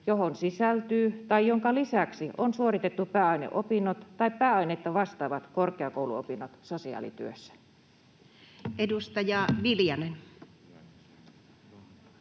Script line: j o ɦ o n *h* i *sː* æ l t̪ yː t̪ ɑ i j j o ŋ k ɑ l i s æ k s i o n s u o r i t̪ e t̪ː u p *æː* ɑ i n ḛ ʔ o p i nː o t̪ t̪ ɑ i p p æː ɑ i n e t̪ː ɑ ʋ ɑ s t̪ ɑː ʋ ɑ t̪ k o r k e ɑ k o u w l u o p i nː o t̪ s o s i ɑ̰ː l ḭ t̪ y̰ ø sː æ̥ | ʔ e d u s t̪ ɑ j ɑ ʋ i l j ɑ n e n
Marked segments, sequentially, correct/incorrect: incorrect, incorrect, correct

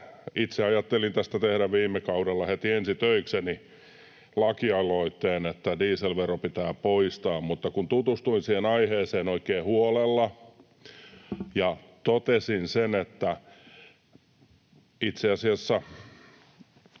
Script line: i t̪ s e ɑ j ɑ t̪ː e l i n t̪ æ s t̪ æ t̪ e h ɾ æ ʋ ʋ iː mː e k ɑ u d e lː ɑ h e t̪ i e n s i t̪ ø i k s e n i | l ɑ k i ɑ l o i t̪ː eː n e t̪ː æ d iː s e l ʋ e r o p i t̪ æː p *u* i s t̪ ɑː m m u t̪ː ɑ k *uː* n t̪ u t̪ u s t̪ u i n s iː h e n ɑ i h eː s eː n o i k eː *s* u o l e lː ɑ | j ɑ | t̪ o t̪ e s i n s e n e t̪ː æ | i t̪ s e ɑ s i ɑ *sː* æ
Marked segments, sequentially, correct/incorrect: incorrect, incorrect, incorrect, correct

